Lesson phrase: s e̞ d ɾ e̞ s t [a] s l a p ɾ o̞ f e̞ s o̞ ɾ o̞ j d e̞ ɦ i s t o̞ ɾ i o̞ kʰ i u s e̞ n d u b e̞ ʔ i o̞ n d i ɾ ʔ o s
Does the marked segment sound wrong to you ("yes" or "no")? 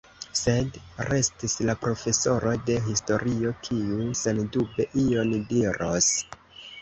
yes